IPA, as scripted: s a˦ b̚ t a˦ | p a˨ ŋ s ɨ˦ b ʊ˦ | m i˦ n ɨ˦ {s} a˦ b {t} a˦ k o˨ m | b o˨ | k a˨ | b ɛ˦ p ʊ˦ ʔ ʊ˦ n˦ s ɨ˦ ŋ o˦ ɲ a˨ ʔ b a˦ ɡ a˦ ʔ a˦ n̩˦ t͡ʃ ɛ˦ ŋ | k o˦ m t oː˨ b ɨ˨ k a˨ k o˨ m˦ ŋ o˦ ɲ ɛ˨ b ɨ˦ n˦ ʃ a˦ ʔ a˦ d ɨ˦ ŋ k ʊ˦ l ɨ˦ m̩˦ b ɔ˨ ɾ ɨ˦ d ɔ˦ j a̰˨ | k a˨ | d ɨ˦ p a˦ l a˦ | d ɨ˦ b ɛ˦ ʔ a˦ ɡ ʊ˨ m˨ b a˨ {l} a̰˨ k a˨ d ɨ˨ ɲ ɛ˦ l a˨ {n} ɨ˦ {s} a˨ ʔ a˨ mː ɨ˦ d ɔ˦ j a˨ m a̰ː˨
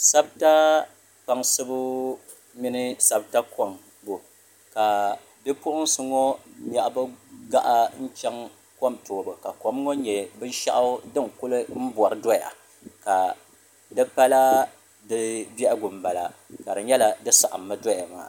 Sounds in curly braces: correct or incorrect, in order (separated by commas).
correct, correct, correct, incorrect, correct